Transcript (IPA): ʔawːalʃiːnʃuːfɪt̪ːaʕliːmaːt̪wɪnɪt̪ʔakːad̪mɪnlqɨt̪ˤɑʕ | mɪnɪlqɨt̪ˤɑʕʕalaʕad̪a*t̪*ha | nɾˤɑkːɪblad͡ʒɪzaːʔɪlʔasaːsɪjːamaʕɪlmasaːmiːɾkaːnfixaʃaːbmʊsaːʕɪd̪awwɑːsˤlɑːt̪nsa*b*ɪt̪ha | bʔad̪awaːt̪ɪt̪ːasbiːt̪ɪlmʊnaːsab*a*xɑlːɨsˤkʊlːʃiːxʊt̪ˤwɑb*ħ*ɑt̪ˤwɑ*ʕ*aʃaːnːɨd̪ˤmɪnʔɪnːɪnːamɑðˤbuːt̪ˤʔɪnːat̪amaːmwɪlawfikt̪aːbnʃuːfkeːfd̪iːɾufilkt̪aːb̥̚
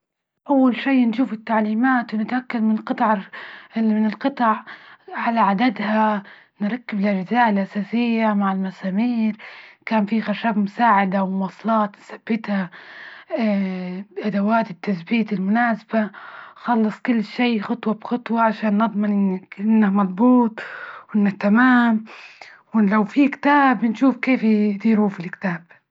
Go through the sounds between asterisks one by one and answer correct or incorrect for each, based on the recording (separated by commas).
incorrect, incorrect, correct, incorrect, correct